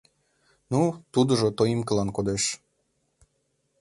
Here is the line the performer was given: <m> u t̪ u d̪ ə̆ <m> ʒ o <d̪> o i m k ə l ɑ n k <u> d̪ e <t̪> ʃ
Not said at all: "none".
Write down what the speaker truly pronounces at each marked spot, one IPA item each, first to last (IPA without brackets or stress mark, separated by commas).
n, none, t̪, o, none